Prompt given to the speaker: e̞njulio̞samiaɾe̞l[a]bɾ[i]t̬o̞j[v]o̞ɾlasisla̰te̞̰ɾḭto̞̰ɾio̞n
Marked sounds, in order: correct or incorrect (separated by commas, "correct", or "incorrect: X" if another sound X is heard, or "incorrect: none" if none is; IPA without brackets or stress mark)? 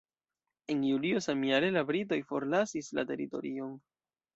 correct, correct, incorrect: f